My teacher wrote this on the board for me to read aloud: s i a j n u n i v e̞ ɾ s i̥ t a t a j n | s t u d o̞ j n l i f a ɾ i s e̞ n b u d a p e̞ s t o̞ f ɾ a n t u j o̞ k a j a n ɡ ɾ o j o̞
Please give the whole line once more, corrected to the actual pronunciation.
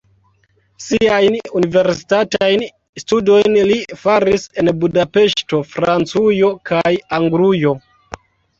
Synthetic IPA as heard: s i a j n u n i v e̞ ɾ s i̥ t a t a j n | s t u d o̞ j n l i f a ɾ i s e̞ n b u d a p e̞ ʃ t o̞ f ɾ a n t͡s u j o̞ k a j a ŋ ɡ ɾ u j o̞